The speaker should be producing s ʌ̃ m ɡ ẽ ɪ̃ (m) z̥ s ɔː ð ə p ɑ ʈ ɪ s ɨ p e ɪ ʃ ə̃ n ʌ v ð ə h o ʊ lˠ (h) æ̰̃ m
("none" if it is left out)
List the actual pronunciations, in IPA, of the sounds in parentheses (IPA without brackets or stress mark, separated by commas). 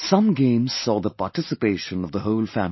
m, f